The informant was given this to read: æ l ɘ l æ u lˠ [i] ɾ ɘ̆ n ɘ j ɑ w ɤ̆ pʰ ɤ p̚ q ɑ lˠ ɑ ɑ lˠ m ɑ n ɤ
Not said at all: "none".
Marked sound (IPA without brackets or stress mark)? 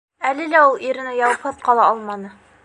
i